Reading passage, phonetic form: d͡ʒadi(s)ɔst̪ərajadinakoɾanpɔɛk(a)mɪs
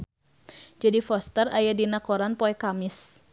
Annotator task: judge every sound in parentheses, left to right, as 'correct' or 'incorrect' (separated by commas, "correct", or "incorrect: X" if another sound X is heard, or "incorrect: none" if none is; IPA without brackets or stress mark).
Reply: incorrect: f, correct